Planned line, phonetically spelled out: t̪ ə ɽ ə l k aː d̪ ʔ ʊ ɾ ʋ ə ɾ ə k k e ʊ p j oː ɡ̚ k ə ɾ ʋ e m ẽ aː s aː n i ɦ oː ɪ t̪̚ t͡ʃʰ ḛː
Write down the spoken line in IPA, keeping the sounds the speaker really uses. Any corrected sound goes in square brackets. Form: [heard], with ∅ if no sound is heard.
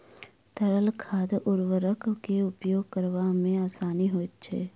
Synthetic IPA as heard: t̪ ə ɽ ə l [kʰ] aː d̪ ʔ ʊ ɾ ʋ ə ɾ ə k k e ʊ p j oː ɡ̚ k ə ɾ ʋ [a] m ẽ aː s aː n i ɦ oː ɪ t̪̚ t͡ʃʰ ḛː